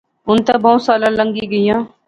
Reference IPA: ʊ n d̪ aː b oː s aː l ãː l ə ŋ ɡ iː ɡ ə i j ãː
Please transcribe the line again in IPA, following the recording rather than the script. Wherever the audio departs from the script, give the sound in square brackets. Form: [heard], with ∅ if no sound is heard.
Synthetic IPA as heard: ʊ n [t̪] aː b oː s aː l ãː l ə ŋ ɡ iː ɡ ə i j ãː